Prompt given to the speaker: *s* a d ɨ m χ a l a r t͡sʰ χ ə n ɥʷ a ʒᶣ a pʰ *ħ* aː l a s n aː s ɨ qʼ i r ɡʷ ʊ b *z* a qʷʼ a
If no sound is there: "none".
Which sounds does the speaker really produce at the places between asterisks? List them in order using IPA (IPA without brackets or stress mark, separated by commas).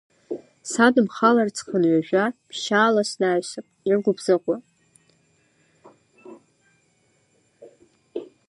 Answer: s, ʃ, z